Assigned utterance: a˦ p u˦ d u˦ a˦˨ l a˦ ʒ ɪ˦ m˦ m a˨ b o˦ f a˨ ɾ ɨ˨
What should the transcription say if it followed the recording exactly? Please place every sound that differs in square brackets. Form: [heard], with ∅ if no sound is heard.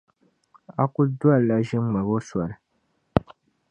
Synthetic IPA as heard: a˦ [k] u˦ d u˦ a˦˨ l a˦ ʒ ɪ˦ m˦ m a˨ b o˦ [s] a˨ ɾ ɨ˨